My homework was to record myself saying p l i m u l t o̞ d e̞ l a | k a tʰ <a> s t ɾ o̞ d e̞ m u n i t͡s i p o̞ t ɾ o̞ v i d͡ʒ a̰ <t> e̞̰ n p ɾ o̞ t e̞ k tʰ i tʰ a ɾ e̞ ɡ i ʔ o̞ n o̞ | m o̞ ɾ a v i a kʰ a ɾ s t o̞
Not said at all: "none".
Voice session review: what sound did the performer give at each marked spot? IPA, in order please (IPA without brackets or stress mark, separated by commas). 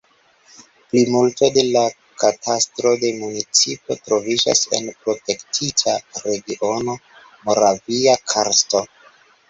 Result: a, s